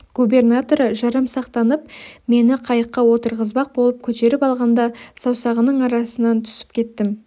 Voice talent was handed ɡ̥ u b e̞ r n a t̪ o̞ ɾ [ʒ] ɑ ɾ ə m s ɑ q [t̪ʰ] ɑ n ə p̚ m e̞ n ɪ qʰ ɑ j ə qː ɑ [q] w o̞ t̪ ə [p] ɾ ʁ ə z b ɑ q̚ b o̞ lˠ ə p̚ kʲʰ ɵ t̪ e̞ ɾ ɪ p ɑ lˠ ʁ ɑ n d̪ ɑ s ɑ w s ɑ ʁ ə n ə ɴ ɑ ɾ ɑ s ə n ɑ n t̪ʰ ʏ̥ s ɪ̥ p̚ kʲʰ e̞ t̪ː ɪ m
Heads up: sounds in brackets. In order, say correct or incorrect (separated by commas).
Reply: correct, incorrect, incorrect, incorrect